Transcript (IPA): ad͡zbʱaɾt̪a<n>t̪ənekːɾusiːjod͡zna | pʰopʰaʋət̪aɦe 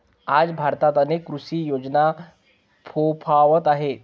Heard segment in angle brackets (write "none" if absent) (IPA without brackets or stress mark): none